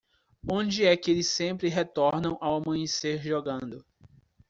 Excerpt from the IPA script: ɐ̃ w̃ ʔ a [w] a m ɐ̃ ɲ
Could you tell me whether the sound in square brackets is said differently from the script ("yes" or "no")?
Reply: no